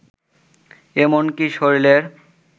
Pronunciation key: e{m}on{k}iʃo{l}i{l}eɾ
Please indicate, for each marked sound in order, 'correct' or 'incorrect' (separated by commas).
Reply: correct, correct, incorrect, correct